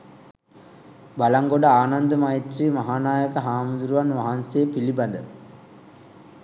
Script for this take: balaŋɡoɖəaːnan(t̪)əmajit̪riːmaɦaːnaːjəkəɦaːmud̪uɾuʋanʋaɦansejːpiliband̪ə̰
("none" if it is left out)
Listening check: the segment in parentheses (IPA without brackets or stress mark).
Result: d̪